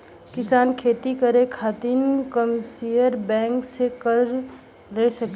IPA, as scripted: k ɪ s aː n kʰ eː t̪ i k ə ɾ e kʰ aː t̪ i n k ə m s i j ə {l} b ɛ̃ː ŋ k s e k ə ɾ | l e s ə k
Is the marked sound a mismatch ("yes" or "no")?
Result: yes